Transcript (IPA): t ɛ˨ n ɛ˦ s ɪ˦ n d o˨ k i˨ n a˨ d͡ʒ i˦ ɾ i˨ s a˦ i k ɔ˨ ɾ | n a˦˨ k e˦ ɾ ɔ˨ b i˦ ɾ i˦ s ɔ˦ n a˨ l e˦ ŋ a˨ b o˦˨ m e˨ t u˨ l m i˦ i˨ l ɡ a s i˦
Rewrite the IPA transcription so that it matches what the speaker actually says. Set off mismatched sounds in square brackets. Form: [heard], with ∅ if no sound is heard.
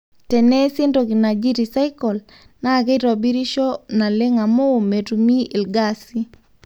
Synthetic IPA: t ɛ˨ n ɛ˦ s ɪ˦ n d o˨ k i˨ n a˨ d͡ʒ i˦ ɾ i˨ s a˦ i k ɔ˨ [l] | n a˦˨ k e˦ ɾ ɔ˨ b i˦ ɾ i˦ [ʃ] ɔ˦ n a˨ l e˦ ŋ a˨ [m] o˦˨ m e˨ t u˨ [∅] m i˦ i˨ l ɡ a s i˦

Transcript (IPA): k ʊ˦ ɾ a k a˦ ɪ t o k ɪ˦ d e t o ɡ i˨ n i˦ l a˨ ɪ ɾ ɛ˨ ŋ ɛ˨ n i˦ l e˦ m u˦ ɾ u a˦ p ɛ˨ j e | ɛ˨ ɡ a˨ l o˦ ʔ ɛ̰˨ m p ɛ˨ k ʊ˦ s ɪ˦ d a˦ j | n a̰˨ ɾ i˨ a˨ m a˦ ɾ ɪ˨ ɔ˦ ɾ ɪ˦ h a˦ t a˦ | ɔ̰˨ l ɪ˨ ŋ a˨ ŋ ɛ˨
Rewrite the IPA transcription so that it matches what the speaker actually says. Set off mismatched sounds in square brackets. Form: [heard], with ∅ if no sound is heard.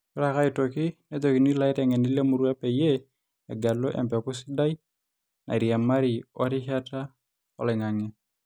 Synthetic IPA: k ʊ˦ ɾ a k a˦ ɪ t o k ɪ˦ [n] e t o [k] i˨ n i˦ l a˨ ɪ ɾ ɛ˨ ŋ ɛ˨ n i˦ l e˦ m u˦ ɾ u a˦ p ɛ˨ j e | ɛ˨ ɡ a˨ l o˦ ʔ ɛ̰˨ m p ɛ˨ k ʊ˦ s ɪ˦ d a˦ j | n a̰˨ ɾ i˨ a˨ m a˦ ɾ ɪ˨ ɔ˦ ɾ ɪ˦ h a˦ t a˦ | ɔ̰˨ l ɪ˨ ŋ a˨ ŋ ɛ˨

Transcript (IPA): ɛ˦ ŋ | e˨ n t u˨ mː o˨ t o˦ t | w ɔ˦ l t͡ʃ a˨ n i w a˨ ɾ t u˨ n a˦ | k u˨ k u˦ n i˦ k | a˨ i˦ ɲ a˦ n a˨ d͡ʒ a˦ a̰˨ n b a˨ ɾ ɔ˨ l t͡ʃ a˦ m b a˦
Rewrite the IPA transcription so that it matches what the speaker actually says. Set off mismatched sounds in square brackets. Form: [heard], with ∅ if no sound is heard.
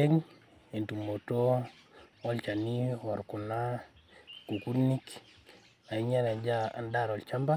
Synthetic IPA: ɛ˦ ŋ | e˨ n t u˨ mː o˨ t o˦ [∅] | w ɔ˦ l t͡ʃ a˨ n i w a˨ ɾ [k] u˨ n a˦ | k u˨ k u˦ n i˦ k | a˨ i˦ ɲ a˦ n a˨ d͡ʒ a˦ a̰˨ n [d] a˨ ɾ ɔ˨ l t͡ʃ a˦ m b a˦

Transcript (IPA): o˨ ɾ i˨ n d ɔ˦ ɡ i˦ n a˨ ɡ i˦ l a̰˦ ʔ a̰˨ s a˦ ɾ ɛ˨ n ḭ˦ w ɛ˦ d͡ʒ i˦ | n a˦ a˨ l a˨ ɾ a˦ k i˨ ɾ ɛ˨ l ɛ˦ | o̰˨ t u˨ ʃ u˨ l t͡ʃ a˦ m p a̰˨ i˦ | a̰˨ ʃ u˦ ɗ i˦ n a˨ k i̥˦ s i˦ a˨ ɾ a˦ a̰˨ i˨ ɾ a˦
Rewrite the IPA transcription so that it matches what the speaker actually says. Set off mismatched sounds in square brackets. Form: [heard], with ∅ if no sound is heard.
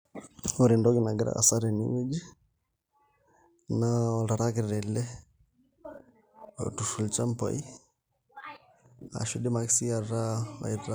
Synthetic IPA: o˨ ɾ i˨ n d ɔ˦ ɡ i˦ n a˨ ɡ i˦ [ɾ] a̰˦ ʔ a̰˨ s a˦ ɾ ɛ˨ n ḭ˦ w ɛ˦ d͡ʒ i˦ | n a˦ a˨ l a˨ ɾ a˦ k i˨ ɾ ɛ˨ l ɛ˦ | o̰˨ t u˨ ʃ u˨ l t͡ʃ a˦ m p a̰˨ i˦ | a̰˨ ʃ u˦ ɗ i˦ [m] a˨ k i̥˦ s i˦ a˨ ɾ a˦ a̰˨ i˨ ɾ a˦

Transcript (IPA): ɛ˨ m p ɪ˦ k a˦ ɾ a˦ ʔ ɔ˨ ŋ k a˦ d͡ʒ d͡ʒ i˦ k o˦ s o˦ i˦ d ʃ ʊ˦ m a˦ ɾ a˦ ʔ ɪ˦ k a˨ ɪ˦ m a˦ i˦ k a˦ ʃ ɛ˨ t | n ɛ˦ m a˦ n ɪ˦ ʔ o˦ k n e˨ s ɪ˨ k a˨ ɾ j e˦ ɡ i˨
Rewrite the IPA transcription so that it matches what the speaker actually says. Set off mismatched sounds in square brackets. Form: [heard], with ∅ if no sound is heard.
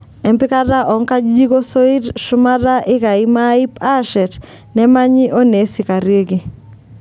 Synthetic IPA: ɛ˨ m p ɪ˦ k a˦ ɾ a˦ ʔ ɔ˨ ŋ k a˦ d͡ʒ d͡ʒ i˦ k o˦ s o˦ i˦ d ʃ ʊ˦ m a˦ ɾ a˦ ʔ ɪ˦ k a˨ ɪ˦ m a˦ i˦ [p] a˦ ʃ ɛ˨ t | n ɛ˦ m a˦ [ɲ] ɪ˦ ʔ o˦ [∅] n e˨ s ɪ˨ k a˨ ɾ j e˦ ɡ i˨

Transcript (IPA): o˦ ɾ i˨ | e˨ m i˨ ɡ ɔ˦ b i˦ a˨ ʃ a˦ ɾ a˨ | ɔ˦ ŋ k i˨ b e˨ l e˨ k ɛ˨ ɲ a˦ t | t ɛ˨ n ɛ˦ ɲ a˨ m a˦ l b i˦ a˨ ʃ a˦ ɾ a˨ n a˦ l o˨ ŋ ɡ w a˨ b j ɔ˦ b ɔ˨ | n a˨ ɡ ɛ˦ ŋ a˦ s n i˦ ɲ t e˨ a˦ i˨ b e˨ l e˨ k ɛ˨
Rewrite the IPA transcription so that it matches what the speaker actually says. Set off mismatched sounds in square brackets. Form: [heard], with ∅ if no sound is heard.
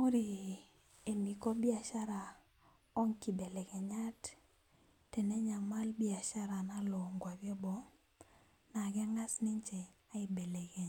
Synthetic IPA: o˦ ɾ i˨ | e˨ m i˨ [k] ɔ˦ b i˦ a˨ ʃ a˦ ɾ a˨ | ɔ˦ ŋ k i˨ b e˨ l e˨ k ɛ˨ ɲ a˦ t | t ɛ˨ n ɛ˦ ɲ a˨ m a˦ l b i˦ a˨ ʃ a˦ ɾ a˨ n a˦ l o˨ ŋ ɡ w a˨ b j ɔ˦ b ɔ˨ | n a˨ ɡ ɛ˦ ŋ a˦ s n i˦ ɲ [t͡ʃ] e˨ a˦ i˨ b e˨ l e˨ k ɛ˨

